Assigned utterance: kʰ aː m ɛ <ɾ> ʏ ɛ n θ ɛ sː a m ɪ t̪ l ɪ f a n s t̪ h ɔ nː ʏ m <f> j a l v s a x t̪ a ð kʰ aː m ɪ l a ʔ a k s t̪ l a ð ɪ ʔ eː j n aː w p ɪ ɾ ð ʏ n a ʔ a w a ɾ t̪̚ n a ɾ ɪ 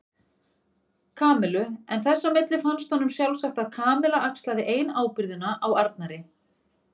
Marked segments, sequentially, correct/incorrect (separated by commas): incorrect, incorrect